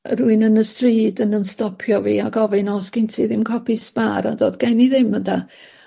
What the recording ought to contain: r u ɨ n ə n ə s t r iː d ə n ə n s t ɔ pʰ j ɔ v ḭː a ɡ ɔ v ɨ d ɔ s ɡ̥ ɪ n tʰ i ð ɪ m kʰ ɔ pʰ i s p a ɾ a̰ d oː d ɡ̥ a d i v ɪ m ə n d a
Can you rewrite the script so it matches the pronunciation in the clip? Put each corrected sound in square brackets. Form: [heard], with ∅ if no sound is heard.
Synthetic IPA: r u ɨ n ə n ə s t r iː d ə n ə n s t ɔ pʰ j ɔ v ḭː a ɡ ɔ v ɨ [n] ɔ s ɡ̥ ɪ n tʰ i ð ɪ m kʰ ɔ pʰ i s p a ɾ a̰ d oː d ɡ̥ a [n] i [ð] ɪ m ə n d a